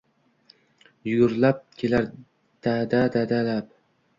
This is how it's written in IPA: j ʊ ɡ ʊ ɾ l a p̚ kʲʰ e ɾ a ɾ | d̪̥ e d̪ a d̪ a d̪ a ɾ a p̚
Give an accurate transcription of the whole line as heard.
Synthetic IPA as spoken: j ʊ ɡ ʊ ɾ l a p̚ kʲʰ e l a ɾ | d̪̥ a d̪ a d̪ a d̪ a l a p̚